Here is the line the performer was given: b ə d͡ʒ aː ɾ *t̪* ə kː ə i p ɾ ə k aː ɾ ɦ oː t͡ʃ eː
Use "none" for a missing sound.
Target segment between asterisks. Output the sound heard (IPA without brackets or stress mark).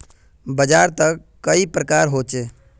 t̪